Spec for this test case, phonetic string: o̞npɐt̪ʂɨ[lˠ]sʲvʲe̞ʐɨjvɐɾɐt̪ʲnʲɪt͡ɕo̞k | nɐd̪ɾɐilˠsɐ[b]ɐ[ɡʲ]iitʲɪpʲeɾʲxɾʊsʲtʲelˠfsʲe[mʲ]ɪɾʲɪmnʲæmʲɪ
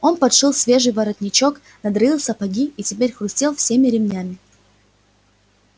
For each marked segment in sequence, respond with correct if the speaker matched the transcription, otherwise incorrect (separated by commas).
correct, incorrect, correct, correct